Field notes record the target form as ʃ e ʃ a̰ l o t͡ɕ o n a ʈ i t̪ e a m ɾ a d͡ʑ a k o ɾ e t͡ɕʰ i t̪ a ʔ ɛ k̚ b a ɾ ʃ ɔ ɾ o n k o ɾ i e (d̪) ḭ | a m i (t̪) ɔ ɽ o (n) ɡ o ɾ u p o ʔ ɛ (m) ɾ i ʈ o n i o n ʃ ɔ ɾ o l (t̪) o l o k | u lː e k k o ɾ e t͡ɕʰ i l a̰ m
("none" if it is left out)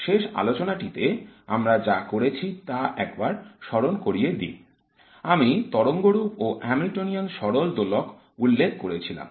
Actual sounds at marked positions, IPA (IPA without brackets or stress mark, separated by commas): d̪, t̪, ŋ, m, d̪